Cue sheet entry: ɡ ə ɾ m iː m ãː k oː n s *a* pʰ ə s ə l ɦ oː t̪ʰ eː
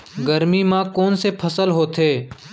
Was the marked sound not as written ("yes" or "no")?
yes